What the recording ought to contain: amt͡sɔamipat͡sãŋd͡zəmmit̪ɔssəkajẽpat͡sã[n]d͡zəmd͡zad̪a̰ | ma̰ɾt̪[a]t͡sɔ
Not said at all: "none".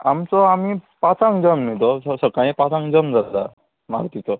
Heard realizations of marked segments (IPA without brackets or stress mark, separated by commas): ŋ, i